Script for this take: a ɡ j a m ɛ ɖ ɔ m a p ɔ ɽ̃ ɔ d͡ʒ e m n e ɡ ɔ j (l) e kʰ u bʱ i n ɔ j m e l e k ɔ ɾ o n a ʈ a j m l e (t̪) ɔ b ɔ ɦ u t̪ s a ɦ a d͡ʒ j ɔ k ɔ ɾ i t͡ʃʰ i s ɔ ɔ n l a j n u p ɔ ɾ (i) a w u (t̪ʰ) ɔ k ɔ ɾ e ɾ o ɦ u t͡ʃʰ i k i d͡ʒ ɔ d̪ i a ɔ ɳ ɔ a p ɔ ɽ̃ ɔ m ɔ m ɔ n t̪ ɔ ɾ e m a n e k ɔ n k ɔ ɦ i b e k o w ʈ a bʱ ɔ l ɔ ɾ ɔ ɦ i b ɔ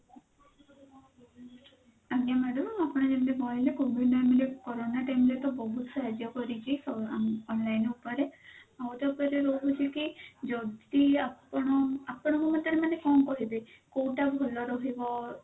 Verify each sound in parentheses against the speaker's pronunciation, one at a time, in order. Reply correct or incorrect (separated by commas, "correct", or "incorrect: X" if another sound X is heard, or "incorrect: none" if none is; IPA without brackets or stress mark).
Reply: correct, correct, incorrect: e, incorrect: t̪